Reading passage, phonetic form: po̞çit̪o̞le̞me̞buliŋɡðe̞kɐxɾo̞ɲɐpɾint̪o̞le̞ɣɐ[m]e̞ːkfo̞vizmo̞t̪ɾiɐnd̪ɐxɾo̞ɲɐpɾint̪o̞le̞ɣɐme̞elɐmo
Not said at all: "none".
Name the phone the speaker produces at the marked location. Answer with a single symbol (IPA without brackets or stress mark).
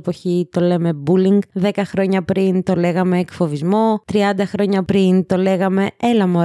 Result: m